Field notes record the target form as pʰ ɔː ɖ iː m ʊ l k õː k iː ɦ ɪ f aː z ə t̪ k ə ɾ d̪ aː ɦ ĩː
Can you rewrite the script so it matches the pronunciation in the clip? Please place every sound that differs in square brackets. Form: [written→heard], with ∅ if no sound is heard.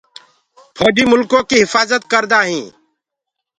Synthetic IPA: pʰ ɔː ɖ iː m ʊ l k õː k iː ɦ ɪ f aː z ə t̪ k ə ɾ d̪ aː ɦ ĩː